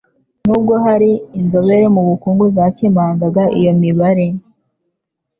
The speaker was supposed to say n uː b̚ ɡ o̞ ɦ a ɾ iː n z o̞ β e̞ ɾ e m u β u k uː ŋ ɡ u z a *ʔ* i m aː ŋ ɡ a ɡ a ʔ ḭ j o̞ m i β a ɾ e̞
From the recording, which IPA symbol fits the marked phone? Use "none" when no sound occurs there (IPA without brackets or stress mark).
c